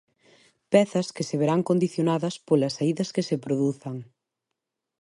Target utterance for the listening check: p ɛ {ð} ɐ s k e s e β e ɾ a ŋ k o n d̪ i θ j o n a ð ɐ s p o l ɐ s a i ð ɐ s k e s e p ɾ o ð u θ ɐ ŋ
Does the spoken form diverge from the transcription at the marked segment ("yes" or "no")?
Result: yes